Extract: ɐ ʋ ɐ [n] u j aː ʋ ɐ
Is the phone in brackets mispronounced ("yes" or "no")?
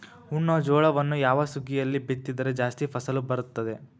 yes